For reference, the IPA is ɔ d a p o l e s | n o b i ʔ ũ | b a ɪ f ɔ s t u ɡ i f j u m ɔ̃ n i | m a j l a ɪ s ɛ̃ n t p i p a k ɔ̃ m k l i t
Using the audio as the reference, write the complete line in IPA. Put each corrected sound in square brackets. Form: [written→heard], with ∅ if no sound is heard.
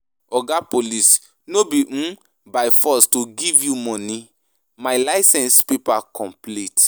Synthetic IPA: ɔ [d→ɡ] a p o l [e→i] s | n o b i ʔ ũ | b a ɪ f ɔ s t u ɡ i [f→v] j u m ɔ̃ n i | m a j l a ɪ s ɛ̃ n [t→s] p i p a k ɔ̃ m [k→p] l i t